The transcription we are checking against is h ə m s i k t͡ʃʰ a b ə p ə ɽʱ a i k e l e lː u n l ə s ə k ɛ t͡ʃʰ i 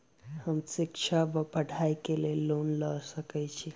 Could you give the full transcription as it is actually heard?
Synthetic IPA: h ə m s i k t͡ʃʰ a b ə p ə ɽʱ a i k e l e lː o n l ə s ə k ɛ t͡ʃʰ i